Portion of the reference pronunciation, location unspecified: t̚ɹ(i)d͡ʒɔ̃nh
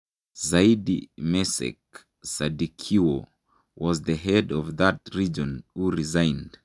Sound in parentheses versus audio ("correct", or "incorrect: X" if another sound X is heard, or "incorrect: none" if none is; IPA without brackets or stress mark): correct